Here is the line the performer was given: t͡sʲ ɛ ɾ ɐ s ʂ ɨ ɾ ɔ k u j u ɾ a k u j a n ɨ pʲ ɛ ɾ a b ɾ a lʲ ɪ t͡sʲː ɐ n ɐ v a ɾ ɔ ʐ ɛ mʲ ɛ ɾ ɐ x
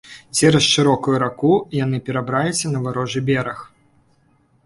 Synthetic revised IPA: t͡sʲ ɛ ɾ ɐ s ʂ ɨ ɾ ɔ k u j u ɾ a k u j a n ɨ pʲ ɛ ɾ a b ɾ a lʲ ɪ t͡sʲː ɐ n ɐ v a ɾ ɔ ʐ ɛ bʲ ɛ ɾ ɐ x